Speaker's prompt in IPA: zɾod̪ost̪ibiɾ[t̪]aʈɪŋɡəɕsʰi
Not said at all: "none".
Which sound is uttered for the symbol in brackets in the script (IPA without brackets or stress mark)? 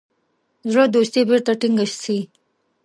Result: t̪